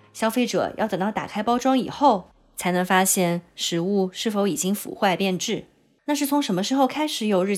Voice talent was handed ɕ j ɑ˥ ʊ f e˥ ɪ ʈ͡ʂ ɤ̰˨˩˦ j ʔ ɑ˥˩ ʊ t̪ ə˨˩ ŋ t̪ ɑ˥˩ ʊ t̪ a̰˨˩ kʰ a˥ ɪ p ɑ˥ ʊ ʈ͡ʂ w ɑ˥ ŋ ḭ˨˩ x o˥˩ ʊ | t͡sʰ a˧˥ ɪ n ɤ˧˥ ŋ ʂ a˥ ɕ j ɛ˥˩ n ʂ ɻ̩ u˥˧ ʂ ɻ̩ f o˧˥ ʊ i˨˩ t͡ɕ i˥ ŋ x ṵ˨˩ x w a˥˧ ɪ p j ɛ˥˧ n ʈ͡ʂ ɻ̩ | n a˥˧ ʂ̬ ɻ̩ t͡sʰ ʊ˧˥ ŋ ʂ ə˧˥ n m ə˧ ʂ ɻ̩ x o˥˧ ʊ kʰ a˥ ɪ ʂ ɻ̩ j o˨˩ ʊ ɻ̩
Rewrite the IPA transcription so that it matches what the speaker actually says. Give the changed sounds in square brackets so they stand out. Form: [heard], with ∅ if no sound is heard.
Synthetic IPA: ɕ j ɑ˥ ʊ f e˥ ɪ ʈ͡ʂ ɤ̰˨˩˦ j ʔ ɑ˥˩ ʊ t̪ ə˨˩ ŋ t̪ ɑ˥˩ ʊ t̪ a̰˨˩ kʰ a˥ ɪ p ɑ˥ ʊ ʈ͡ʂ w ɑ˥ ŋ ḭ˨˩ x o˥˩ ʊ | t͡sʰ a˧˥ ɪ n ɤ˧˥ ŋ [f] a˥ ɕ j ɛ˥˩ n ʂ ɻ̩ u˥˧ ʂ ɻ̩ f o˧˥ ʊ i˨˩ t͡ɕ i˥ ŋ [f] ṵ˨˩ x w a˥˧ ɪ p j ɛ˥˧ n ʈ͡ʂ ɻ̩ | n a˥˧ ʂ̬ ɻ̩ t͡sʰ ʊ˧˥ ŋ ʂ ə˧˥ n m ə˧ ʂ ɻ̩ x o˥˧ ʊ kʰ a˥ ɪ ʂ ɻ̩ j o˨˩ ʊ ɻ̩